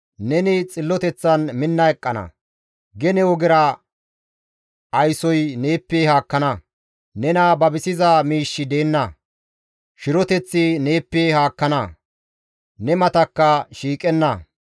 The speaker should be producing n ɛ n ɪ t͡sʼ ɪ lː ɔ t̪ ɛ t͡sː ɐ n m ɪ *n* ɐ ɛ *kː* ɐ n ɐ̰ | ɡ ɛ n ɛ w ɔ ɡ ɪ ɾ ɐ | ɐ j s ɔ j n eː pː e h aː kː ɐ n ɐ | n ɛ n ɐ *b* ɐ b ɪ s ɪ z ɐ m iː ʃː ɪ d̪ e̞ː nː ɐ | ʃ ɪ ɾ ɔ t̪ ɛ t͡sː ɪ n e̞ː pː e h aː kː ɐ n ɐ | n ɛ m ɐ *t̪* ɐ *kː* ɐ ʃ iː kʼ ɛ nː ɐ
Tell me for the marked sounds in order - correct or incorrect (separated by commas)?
incorrect, incorrect, correct, correct, correct